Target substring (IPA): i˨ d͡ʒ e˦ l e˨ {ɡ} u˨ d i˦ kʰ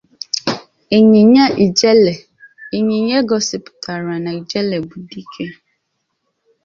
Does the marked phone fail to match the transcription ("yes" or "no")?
yes